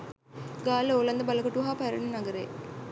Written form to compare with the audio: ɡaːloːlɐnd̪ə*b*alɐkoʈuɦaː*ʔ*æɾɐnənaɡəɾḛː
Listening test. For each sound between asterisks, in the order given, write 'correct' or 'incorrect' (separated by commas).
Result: correct, incorrect